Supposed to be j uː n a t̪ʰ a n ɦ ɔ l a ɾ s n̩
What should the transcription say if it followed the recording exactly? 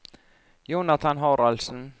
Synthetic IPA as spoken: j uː n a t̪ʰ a n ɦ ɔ ɾ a l s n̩

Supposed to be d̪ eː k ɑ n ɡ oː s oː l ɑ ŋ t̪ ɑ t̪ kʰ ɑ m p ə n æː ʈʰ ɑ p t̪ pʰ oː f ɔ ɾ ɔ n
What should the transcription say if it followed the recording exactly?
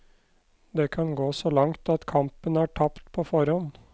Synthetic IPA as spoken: d̪ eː kʰ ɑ n ɡ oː s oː l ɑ ŋ t̪ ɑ t̪ kʰ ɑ m p ə n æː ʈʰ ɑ p t̪ pʰ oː f ɔ ɾ ɔ n

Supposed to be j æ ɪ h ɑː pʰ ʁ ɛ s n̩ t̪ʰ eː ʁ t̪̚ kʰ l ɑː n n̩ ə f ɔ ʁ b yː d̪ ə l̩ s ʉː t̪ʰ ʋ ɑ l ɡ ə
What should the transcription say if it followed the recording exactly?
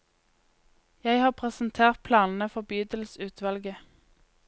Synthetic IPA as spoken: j æ ɪ h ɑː pʰ ʁ ɛ s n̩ t̪ʰ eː ʁ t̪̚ pʰ l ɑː n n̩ ə f ɔ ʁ b yː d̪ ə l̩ s ʉː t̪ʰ ʋ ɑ l ɡ ə

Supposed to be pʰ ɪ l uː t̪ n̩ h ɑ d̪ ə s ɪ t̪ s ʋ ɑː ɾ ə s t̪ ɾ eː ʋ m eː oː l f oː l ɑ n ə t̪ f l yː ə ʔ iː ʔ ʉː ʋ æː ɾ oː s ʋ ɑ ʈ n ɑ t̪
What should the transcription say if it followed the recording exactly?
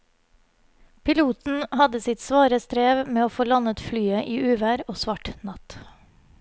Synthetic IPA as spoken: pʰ ɪ l uː t̪ n̩ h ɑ d̪ ə s ɪ t̪ s ʋ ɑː ɾ ə s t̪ ɾ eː ʋ m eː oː f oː l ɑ n ə t̪ f l yː ə ʔ iː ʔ ʉː ʋ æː ɾ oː s ʋ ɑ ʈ n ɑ t̪

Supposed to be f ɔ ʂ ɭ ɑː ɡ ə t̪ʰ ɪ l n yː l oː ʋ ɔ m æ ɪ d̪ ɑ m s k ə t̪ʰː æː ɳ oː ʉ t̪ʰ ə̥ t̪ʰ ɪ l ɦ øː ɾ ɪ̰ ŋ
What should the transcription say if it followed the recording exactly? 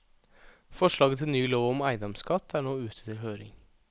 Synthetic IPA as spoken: f ɔ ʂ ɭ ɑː ɡ ə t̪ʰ ɪ l n yː l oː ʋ ɔ m æ ɪ d̪ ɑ m s k ɑ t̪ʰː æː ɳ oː ʉː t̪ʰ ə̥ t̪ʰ ɪ l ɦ øː ɾ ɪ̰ ŋ

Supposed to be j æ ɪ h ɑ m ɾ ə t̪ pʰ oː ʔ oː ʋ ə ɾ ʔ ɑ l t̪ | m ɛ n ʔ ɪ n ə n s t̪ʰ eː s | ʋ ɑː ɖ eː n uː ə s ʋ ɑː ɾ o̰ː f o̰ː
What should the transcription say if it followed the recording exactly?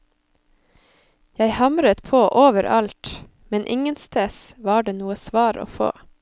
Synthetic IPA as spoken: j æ ɪ h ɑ m ɾ ə t̪ pʰ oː ʔ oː ʋ ə ɾ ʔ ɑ l t̪ | m ɛ n ʔ ɪ ŋ ə n s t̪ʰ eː s | ʋ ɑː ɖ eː n uː ə s ʋ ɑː ɾ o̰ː f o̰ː

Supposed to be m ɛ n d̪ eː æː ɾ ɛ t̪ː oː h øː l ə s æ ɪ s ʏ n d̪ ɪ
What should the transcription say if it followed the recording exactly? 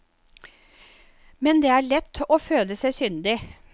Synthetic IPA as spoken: m ɛ n d̪ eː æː ɭ ɛ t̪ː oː f øː l ə s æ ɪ s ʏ n d̪ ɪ

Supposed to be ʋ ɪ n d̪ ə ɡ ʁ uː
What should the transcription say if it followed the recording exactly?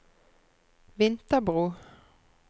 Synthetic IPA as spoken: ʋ ɪ n t̪ ə b ʁ uː

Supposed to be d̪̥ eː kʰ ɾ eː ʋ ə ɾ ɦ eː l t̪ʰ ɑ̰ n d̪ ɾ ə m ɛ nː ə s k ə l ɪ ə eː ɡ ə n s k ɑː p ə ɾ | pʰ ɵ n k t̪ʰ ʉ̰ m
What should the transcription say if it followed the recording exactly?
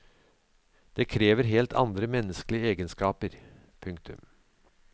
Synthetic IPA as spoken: d̪̥ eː kʰ ɾ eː ʋ ə ɾ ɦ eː l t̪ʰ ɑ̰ n d̪ ɾ ə m ɛ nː ə s k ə l ɪ ə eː ɡ ə n s k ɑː p ə ɾ | pʰ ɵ ŋ k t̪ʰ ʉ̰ m

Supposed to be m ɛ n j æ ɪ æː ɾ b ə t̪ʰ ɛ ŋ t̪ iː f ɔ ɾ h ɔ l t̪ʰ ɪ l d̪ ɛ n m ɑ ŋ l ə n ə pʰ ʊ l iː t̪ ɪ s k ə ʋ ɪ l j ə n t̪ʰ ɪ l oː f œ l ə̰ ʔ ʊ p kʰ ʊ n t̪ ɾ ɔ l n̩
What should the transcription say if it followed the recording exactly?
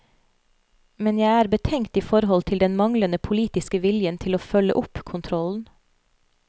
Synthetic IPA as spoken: m ɛ n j æ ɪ æː ɾ b ə t̪ʰ ɛ ŋ t̪ iː f ɔ ɾ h ɔ l t̪ʰ ɪ l d̪ ɛ n m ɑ ŋ l ə n ə pʰ ʊ l iː t̪ ɪ s k ə ʋ ɪ l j ə n t̪ʰ ɪ l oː f œ l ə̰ ʔ ʊ p kʰ ʊ n t̪ʰ ɾ ɔ l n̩

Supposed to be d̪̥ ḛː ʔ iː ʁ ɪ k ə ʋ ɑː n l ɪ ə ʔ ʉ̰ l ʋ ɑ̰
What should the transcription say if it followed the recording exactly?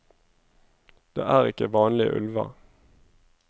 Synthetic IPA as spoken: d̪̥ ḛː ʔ æː ʁ ɪ k ə ʋ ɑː n l ɪ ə ʔ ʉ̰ l ʋ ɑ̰

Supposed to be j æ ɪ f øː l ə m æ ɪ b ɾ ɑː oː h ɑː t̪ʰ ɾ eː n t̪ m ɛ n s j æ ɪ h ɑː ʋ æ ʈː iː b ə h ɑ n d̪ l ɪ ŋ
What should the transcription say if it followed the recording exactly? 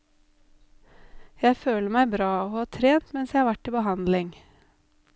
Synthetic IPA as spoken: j æ ɪ f øː l ə m æ ɪ b ɾ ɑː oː h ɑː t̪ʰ ɾ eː n t̪ m ɛ n s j æ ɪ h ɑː ʋ æ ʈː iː b ə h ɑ n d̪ l ɪ ŋ

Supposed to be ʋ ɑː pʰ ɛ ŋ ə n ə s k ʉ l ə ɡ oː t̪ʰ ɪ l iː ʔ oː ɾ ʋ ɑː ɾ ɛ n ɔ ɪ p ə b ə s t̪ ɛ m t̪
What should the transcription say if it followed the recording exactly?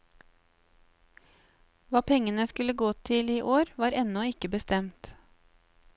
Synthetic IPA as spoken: ʋ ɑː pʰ ɛ ŋ ə n ə s k ʉ l ə ɡ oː t̪ʰ ɪ l iː ʔ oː ɾ ʋ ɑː ɾ ɛ n ɔ ɪ k ə b ə s t̪ ɛ m t̪

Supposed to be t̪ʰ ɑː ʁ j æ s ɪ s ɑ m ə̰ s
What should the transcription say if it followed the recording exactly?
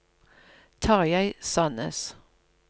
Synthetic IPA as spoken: t̪ʰ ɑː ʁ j æ ɪ s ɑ n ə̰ s

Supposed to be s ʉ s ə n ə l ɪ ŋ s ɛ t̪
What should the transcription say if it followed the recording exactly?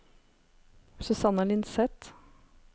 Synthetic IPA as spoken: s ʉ s ɑ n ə l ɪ n s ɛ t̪

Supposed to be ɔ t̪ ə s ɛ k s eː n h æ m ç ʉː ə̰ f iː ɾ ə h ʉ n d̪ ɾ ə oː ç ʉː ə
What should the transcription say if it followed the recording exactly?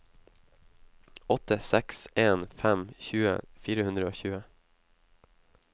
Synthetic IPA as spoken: ɔ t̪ ə s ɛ k s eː n f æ m ç ʉː ə̰ f iː ɾ ə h ʉ n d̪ ɾ ə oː ç ʉː ə

